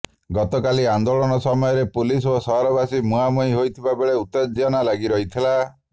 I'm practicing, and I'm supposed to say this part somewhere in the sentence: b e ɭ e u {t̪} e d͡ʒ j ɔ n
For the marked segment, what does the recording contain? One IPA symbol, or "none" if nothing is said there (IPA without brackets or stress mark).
t̪